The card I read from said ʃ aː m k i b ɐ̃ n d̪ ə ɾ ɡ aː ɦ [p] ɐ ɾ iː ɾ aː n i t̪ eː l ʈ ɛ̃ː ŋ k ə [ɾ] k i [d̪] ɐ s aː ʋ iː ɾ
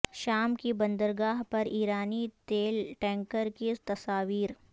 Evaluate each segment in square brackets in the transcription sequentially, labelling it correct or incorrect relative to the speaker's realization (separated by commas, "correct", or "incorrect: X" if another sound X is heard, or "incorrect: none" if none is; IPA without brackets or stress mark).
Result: correct, correct, incorrect: t̪